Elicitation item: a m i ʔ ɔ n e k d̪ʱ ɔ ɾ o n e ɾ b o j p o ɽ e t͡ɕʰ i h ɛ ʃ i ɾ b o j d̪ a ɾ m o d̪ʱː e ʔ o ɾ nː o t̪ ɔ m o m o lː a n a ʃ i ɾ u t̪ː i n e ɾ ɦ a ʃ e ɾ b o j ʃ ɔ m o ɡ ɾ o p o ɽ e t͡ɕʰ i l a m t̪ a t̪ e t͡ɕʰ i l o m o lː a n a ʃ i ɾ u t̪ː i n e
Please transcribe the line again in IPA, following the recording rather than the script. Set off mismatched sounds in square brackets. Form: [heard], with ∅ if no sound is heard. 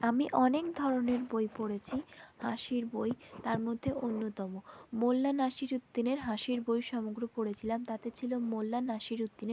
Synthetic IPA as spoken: a m i ʔ ɔ n e k d̪ʱ ɔ ɾ o n e ɾ b o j p o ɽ e t͡ɕʰ i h [a] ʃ i ɾ b o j [t̪] a ɾ m o d̪ʱː e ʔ o [∅] nː o t̪ ɔ m o m o lː a n a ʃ i ɾ u t̪ː i n e ɾ ɦ a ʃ [i] ɾ b o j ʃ ɔ m o ɡ ɾ o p o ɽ e t͡ɕʰ i l a m t̪ a t̪ e t͡ɕʰ i l o m o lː a n a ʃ i ɾ u t̪ː i n e